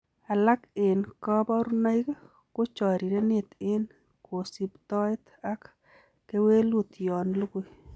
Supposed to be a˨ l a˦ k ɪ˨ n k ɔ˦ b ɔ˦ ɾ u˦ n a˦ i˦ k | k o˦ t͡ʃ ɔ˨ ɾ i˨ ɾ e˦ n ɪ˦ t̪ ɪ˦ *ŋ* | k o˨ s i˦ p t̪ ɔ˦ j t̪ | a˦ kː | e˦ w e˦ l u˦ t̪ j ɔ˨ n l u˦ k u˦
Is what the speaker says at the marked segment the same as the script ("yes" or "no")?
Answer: no